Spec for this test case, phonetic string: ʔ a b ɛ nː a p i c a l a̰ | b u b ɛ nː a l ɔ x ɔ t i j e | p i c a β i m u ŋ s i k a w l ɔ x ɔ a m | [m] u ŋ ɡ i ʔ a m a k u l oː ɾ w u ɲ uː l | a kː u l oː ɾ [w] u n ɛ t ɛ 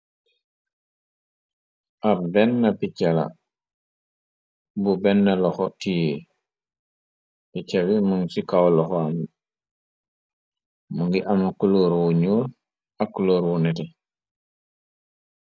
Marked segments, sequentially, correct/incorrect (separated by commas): correct, correct